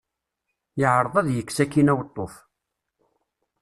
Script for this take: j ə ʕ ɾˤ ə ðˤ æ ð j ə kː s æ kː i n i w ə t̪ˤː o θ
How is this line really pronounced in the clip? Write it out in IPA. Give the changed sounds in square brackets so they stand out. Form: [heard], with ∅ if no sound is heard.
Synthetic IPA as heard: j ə ʕ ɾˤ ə ðˤ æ ð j ə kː s æ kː i n [æ] w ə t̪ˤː o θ